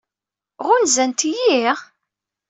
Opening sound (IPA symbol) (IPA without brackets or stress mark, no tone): ʁ